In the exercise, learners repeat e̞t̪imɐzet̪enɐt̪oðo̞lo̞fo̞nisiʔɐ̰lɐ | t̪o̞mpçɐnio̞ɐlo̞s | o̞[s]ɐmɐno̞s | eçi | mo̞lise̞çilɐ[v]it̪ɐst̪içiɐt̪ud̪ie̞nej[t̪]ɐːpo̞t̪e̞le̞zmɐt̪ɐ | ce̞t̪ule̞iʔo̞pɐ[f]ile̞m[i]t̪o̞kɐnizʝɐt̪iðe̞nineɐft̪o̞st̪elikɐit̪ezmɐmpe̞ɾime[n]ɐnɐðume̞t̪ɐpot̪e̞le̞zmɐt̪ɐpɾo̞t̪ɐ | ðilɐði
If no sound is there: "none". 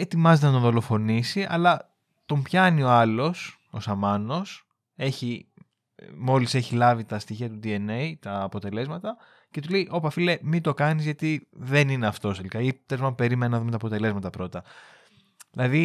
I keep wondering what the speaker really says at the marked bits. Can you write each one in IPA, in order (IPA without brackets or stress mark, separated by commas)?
s, v, t̪, f, i, n